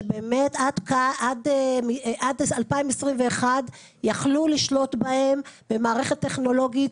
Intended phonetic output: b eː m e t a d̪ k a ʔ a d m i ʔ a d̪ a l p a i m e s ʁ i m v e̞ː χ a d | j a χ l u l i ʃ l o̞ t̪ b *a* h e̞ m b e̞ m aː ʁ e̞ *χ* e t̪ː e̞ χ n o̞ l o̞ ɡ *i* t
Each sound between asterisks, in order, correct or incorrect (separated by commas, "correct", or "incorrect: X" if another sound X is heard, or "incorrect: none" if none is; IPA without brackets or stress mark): correct, correct, correct